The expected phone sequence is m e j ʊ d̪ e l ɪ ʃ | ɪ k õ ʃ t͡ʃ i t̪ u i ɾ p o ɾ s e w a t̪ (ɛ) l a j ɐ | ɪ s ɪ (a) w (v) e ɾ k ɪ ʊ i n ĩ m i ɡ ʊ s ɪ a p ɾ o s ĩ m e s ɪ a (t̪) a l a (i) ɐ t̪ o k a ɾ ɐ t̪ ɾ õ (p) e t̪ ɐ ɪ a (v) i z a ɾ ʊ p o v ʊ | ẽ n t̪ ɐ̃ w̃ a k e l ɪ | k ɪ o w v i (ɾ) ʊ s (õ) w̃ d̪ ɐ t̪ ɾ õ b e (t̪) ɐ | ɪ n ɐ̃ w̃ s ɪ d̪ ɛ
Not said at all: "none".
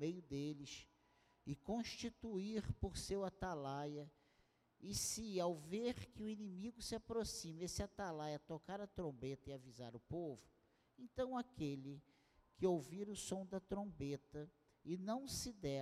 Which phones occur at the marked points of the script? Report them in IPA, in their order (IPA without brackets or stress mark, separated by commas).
a, a, v, t̪, j, b, v, ɾ, õ, t̪